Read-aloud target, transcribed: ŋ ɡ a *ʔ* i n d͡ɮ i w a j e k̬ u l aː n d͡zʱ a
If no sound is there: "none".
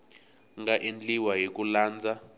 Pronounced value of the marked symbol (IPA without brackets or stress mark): ʔ